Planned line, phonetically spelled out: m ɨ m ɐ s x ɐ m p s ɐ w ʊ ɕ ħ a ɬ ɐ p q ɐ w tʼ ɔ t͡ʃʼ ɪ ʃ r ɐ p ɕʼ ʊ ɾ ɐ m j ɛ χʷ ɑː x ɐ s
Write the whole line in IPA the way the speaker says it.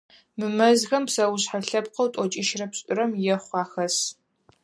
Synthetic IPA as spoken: m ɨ m ɐ z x ɐ m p s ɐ w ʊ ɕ ħ a ɬ ɐ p q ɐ w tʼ ɔ t͡ʃʼ ɪ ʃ r ɐ p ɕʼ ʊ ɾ ɐ m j ɛ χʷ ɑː x ɐ s